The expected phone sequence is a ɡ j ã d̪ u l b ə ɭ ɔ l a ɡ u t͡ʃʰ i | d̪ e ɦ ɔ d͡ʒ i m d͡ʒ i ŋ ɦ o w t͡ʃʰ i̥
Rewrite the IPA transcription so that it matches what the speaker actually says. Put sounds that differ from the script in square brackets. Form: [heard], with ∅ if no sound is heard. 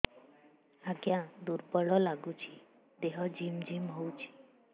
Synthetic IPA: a ɡ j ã d̪ u [ɾ] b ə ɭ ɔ l a ɡ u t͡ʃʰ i | d̪ e ɦ ɔ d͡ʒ i m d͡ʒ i [m] ɦ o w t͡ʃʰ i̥